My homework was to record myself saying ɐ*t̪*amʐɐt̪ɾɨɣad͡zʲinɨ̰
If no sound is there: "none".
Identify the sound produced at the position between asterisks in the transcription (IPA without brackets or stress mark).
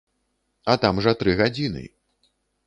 t̪